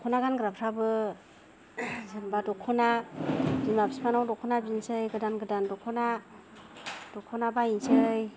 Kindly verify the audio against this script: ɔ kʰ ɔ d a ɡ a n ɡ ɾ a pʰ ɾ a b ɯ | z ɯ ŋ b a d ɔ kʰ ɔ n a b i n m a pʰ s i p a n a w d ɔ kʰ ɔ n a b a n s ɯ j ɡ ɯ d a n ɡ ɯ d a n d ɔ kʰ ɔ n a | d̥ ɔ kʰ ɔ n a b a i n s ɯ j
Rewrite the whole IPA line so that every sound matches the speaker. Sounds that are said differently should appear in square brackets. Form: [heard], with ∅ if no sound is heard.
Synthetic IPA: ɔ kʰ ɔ [n] a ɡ a n ɡ ɾ a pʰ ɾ a b ɯ | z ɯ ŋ b a d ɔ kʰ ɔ n a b i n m a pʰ s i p a n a w d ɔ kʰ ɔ n a b [i] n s ɯ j ɡ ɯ d a n ɡ ɯ d a n d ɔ kʰ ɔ n a | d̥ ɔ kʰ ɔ n a b a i n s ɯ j